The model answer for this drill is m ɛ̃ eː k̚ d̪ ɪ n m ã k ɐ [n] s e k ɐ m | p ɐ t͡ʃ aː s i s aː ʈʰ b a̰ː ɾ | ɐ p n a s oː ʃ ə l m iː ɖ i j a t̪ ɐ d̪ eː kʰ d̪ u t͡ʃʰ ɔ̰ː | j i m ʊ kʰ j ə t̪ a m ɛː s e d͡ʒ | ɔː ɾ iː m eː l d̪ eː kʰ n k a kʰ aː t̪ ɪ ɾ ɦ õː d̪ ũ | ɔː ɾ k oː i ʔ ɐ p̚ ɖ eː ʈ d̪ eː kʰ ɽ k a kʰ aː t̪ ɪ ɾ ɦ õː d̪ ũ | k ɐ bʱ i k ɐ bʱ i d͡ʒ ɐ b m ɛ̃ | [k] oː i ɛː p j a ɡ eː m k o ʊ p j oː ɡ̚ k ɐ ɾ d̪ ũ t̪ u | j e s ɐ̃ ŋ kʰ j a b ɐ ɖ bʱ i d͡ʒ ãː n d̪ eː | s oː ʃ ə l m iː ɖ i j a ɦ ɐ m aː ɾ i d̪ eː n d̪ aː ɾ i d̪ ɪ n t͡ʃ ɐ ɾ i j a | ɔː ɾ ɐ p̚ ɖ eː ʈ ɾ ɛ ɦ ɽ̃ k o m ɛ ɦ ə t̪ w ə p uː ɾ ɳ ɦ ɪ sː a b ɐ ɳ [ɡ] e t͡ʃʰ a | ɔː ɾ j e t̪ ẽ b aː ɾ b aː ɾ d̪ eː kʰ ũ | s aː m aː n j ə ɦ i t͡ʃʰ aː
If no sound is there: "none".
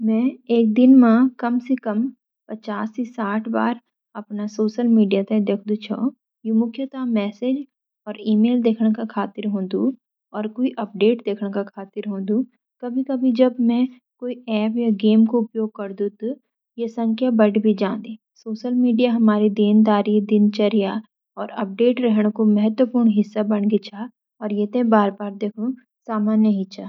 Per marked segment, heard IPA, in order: m, k, ɡ

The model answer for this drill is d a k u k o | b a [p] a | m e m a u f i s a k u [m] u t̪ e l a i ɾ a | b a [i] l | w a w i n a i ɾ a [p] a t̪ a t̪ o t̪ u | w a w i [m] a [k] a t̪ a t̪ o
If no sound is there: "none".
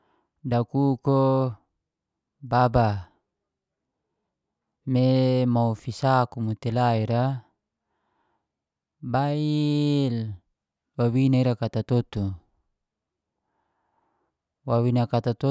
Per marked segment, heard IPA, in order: b, m, i, k, n, k

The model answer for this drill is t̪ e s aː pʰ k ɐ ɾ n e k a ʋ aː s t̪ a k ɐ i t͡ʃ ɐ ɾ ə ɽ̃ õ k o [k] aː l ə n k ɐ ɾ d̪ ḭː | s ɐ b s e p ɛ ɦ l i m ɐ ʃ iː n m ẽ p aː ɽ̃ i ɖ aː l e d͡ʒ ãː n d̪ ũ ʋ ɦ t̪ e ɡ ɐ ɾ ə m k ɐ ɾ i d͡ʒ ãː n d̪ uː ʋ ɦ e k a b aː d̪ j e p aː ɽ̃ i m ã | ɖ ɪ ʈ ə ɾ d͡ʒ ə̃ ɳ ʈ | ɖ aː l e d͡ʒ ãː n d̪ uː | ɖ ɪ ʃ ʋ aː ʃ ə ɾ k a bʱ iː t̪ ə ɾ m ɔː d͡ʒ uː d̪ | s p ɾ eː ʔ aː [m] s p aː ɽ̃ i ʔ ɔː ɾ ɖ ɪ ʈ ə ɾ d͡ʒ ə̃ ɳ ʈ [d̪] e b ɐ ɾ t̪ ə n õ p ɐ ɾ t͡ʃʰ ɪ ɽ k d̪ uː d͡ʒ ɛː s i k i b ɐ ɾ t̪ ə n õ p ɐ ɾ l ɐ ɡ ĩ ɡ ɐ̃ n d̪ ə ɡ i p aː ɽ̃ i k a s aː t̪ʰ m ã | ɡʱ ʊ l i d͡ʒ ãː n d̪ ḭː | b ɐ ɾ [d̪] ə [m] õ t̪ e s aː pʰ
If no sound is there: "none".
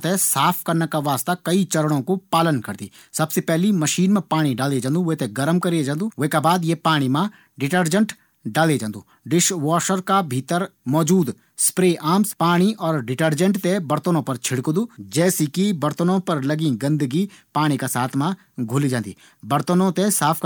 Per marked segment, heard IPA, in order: p, m, t̪, t̪, n

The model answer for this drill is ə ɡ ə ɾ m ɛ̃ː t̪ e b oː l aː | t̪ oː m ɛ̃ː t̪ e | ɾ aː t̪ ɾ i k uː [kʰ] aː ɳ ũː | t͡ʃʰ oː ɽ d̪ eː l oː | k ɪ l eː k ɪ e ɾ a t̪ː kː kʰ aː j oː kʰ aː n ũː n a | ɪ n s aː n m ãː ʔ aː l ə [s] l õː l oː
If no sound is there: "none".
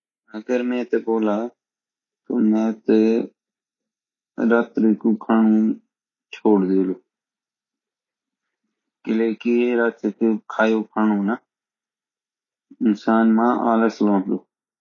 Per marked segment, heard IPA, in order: kʰ, s

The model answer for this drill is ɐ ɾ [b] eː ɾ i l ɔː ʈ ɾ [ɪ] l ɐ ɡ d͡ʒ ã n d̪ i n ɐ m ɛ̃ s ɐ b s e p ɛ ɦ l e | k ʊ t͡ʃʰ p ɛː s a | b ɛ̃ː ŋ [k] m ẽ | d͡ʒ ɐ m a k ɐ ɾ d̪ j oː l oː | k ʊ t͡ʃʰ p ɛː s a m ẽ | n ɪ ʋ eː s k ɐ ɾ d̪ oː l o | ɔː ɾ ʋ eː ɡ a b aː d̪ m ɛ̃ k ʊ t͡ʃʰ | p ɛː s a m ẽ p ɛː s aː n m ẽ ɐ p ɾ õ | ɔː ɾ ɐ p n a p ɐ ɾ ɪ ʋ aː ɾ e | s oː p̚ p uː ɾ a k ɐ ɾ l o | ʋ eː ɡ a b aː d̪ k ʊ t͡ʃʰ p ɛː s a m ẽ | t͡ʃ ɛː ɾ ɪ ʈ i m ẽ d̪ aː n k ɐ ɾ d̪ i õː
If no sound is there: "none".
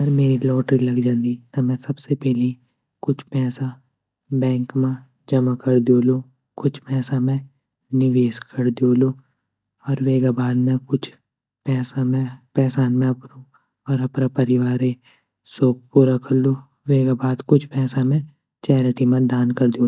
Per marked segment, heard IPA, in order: m, i, k

